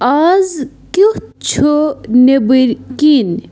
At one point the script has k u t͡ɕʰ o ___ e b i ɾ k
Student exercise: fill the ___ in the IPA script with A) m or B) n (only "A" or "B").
B